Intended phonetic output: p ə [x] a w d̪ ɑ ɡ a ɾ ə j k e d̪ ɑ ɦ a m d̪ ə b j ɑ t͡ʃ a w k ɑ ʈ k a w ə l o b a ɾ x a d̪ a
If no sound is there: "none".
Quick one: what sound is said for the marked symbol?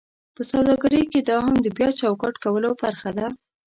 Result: s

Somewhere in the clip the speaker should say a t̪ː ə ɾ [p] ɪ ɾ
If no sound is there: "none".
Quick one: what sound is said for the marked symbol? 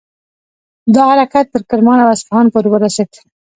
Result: k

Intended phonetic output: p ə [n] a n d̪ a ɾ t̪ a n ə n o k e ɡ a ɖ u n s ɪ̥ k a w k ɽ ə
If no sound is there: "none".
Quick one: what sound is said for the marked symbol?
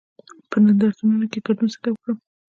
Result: n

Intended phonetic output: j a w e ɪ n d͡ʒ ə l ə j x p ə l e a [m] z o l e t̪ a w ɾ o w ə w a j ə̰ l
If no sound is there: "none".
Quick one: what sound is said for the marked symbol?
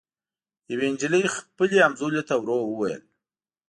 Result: m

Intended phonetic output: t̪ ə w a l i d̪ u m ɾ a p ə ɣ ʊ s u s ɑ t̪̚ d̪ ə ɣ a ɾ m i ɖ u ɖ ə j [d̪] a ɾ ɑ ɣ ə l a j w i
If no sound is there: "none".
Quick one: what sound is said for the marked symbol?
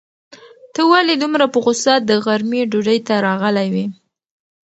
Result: t̪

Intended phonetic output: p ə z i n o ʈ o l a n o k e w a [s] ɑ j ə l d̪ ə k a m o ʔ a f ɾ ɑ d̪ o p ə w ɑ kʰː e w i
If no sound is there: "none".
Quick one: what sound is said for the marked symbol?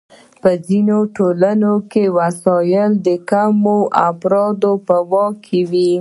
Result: s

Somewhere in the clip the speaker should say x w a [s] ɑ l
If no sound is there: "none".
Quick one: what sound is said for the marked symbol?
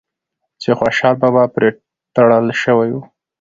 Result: ʃ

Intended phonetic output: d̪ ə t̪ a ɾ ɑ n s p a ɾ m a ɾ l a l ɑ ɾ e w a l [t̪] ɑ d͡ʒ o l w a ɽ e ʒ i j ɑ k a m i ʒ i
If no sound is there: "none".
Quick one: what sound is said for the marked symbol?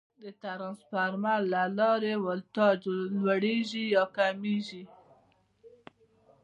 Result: t̪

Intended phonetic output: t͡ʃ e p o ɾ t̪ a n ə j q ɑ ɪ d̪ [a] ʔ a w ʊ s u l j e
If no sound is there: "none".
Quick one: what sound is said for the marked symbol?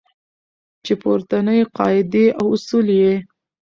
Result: e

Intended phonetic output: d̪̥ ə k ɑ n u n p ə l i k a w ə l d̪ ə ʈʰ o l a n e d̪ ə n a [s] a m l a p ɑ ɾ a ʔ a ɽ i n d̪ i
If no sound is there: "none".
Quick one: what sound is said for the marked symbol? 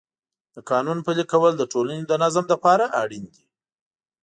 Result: z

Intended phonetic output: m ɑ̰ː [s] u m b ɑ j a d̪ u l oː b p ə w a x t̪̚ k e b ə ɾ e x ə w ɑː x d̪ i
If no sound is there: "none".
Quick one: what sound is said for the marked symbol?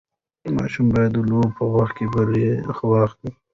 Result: ʃ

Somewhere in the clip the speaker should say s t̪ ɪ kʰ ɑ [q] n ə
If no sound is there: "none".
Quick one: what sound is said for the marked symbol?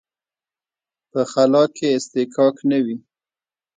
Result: k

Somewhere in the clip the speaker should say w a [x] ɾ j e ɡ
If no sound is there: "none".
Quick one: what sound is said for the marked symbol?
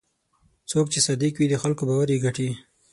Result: none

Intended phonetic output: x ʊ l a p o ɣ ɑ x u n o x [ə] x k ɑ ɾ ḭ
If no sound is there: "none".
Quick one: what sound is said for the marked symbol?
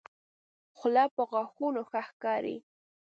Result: a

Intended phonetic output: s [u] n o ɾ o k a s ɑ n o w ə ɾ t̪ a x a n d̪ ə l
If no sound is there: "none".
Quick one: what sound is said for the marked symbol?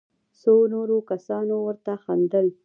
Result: o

